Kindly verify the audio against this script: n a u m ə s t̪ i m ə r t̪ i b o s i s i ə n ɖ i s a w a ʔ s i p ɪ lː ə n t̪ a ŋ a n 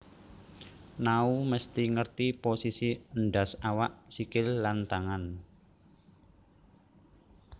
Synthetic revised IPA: n a u m ə s t̪ i ŋ ə r t̪ i p o s i s i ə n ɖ a s a w a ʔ s i k ɪ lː a n t̪ a ŋ a n